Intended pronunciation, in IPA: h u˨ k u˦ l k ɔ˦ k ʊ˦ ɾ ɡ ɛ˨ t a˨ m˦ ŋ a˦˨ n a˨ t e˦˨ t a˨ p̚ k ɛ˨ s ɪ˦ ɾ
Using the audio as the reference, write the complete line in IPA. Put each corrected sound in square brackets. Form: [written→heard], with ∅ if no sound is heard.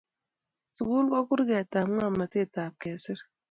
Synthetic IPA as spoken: [h→s] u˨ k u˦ l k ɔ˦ k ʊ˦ ɾ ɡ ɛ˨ t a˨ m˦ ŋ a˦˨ [n→m] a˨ t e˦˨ t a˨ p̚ k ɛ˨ s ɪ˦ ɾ